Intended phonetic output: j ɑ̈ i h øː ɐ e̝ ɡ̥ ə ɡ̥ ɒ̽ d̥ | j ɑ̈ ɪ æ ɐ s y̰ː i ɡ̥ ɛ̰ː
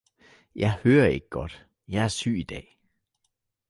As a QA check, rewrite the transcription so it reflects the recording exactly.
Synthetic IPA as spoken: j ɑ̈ ɪ h øː ɐ e̝ ɡ̥ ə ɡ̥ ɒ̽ d̥ | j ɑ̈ ɪ æ ɐ s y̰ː i d̥ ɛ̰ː